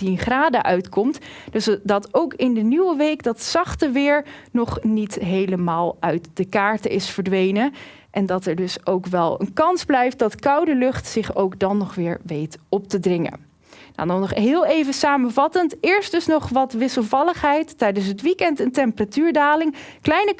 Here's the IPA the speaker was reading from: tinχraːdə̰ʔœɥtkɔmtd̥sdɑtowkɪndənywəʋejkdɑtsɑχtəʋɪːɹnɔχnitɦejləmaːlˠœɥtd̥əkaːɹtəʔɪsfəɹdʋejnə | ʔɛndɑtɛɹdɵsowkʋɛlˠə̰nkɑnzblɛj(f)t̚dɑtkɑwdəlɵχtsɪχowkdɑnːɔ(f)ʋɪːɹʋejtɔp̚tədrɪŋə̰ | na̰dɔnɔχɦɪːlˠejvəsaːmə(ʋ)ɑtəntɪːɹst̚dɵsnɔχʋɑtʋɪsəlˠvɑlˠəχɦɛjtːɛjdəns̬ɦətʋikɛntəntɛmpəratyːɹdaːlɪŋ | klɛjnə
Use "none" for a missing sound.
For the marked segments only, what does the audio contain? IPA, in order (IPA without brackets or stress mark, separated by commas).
f, χ, v